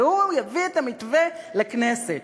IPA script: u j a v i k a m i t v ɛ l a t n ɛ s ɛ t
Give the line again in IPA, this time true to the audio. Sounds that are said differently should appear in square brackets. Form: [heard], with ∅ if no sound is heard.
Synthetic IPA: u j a v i [t] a m i t v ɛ l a [k] n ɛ s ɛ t

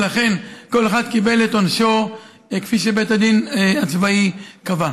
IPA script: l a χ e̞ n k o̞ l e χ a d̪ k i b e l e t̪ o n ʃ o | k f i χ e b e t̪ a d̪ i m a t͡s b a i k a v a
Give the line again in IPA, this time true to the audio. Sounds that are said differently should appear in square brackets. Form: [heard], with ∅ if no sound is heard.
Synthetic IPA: l a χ e̞ n k o̞ l e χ a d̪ k i b e l e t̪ o n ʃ o | k f i [ʃ] e b e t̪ a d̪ i [n] a t͡s [v] a i k a v a

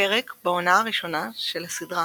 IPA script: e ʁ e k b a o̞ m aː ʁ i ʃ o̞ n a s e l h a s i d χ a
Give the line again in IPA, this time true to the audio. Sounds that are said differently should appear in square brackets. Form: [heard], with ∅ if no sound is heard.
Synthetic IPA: e ʁ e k b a o̞ [n] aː ʁ i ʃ o̞ n a [ʃ] e l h a s i d [ʁ] a

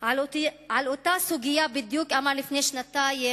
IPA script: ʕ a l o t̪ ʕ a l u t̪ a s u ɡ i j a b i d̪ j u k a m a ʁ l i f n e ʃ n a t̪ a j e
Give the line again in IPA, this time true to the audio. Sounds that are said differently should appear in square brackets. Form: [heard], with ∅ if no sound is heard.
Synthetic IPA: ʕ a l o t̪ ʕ a l [o] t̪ a s u ɡ i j a b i d̪ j u k a m a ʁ l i f n e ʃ n a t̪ a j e

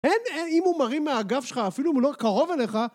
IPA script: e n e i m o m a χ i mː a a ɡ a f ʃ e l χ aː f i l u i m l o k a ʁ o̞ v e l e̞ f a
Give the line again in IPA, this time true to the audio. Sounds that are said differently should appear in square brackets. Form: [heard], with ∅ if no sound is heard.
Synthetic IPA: e n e i m [u] m a [ʁ] i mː [e] a ɡ a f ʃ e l χ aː f i l u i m l o k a ʁ o̞ v e l e̞ [χ] a

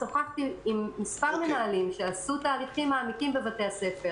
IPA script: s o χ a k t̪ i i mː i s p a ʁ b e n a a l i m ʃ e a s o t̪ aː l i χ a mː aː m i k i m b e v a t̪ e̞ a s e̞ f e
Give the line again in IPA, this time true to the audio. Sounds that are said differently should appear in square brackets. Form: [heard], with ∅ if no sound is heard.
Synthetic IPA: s o χ a k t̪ i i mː i s p a ʁ [m] e n a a l i m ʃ e a s [u] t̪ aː l i χ [i] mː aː m i k i m b e v a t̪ e̞ a s e̞ f e

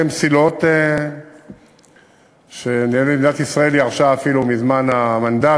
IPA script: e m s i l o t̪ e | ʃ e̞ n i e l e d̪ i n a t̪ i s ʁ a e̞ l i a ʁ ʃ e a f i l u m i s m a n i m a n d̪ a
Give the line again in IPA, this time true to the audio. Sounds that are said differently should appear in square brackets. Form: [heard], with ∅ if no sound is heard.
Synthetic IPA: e m s i l o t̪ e | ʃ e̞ n i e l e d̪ i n a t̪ i s ʁ a e̞ l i a ʁ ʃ [a] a f i l u m i [z] m a n [a] m a n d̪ a

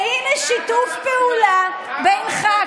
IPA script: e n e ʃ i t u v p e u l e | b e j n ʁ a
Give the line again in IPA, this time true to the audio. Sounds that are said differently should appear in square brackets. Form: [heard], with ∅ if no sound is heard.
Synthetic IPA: [i] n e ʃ i t u [f] p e u l [a] | b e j n [χ] a

